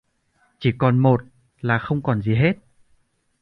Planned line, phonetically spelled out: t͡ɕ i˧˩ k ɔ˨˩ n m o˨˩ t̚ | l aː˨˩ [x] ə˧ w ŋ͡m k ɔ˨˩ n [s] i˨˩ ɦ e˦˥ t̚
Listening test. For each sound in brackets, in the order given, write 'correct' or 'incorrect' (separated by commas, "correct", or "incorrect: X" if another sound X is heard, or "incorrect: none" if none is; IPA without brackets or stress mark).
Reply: correct, incorrect: z